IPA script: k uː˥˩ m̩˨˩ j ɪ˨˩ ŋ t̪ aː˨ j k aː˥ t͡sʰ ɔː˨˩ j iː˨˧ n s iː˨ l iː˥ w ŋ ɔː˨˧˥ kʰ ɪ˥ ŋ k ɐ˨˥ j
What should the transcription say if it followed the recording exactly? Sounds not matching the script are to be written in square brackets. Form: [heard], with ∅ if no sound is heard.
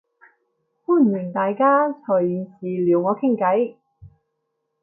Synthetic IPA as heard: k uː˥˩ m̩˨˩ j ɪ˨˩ ŋ t̪ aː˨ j k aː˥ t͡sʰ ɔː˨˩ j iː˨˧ n s iː˨ l [iː˨˩] w ŋ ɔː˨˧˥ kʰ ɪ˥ ŋ k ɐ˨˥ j